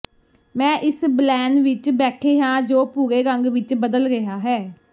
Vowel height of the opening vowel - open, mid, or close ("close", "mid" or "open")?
mid